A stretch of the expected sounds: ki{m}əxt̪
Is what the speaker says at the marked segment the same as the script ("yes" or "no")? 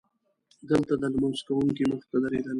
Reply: yes